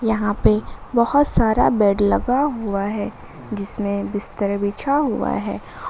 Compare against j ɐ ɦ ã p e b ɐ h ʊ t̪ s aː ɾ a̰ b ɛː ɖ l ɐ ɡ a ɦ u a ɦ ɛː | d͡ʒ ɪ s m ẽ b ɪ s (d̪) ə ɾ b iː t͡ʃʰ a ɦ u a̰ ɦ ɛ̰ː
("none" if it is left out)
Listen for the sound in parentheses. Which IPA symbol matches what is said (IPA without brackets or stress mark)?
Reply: t̪